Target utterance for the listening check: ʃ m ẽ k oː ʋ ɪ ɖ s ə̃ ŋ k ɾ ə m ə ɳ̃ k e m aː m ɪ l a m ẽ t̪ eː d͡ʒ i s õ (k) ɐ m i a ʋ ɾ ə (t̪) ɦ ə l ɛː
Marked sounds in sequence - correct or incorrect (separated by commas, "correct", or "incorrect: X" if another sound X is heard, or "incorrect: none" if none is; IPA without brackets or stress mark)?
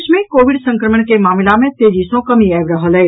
correct, incorrect: none